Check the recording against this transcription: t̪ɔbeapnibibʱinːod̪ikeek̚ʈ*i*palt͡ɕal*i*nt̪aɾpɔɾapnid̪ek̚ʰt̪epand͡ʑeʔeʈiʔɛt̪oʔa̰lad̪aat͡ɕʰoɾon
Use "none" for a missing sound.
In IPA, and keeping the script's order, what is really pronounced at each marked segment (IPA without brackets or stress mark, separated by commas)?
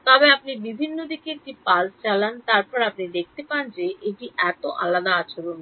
i, a